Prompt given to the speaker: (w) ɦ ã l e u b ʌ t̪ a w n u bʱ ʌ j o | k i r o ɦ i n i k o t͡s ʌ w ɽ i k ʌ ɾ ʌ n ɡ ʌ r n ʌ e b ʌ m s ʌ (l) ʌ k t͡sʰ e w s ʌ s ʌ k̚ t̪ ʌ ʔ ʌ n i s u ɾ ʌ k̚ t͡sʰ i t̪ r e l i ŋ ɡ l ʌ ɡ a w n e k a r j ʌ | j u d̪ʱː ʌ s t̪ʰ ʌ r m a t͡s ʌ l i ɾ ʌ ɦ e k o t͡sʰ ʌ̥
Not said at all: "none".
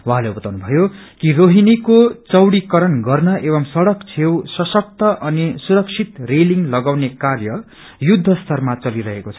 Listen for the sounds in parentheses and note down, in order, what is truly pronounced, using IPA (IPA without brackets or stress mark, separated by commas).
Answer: w, ɽ